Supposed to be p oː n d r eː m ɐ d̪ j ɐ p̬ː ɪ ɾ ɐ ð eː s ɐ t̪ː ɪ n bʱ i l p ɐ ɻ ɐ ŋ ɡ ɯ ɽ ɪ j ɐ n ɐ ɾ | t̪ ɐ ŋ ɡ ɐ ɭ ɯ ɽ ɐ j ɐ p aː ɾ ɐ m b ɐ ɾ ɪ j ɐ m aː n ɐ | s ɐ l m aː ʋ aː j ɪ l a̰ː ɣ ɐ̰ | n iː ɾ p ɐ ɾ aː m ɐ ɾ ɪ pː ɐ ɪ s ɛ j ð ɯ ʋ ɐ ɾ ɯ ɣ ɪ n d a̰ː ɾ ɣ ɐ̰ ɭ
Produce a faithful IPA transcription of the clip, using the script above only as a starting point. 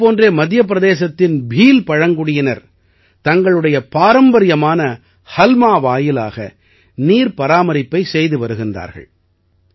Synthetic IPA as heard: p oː n d r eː m ɐ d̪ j ɐ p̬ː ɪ ɾ ɐ ð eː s ɐ t̪ː ɪ n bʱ iː l p ɐ ɻ ɐ ŋ ɡ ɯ ɽ ɪ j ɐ n ɐ ɾ | t̪ ɐ ŋ ɡ ɐ ɭ ɯ ɽ ɐ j ɐ p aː ɾ ɐ m b ɐ ɾ ɪ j ɐ m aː n ɐ | h ɐ l m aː ʋ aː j ɪ l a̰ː ɣ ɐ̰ | n iː ɾ p ɐ ɾ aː m ɐ ɾ ɪ pː ɐ ɪ s ɛ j ð ɯ ʋ ɐ ɾ ɯ ɣ ɪ n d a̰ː ɾ ɣ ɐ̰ ɭ